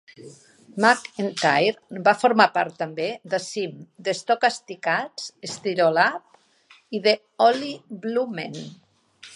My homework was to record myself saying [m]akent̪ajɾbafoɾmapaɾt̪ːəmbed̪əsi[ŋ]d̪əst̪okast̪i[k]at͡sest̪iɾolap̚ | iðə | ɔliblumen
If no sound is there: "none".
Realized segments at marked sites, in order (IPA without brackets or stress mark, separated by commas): m, m, k